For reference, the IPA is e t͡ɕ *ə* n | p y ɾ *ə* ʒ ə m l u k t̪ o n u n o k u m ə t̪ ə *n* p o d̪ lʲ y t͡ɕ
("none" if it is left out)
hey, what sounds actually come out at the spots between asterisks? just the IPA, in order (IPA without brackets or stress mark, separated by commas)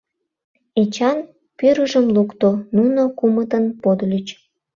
ɑ, ə, n